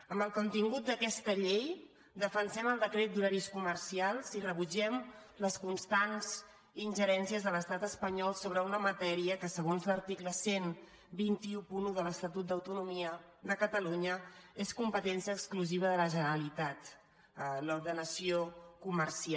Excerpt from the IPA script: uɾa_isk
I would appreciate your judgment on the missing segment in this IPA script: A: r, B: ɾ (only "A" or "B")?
B